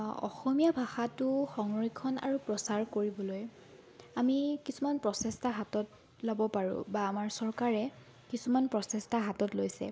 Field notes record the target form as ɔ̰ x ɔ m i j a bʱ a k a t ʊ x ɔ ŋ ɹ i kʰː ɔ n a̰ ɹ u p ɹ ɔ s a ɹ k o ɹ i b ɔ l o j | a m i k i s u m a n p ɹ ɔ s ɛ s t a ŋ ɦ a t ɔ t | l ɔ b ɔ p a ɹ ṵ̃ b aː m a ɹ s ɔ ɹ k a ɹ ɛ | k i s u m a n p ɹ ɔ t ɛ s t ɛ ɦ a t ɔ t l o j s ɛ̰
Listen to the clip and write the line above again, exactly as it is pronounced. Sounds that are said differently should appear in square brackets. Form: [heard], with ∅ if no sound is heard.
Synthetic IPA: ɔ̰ x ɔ m i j a bʱ a [x] a t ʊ x ɔ ŋ ɹ i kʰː ɔ n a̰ ɹ u p ɹ ɔ s a ɹ k o ɹ i b ɔ l o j | a m i k i s u m a n p ɹ ɔ s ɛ s t a [∅] ɦ a t ɔ t | l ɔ b ɔ p a ɹ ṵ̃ b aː m a ɹ s ɔ ɹ k a ɹ ɛ | k i s u m a n p ɹ ɔ [s] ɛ s t [a] ɦ a t ɔ t l o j s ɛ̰